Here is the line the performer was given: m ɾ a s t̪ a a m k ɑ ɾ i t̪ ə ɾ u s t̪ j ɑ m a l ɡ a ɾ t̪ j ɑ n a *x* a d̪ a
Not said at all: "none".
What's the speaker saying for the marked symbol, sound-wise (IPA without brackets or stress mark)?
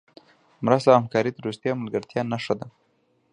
ʂ